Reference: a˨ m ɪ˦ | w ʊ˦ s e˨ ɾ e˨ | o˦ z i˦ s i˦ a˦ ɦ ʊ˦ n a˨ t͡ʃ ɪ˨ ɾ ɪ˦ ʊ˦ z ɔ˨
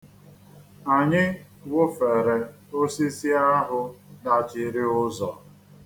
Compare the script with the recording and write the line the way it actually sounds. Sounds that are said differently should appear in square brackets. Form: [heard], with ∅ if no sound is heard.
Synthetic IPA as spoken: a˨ [ɲ] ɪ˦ | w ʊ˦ [f] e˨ ɾ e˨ | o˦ [s] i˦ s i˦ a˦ ɦ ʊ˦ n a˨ t͡ʃ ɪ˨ ɾ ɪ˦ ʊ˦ z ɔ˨